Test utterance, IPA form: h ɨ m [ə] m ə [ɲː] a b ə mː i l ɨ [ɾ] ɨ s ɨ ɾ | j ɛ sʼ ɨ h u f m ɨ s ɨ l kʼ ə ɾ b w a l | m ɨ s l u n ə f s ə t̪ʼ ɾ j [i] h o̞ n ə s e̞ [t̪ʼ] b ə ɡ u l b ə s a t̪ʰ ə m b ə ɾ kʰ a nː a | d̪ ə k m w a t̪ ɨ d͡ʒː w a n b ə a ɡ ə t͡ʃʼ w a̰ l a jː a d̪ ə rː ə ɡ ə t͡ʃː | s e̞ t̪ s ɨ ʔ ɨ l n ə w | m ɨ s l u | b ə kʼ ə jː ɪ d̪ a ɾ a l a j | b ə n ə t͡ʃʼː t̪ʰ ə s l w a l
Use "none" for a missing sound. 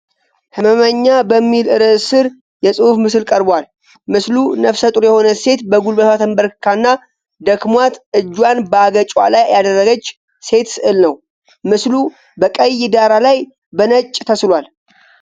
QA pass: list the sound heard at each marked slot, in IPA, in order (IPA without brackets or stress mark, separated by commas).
ə, ɲː, ɾ, ɛ, t̪